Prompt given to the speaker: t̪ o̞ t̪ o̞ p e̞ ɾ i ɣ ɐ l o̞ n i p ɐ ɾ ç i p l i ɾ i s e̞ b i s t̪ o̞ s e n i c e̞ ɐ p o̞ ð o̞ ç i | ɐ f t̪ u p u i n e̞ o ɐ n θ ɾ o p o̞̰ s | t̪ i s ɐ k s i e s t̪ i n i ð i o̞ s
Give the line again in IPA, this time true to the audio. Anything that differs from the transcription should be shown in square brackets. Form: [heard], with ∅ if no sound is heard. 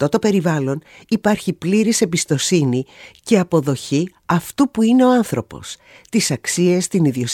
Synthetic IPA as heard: t̪ o̞ t̪ o̞ p e̞ ɾ i [v] ɐ l o̞ n i p ɐ ɾ ç i p l i ɾ i s e̞ b i s t̪ o̞ s [i] n i c e̞ ɐ p o̞ ð o̞ ç i | ɐ f t̪ u p u i n e̞ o ɐ n θ ɾ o p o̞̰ s | t̪ i s ɐ k s i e s t̪ i n i ð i o̞ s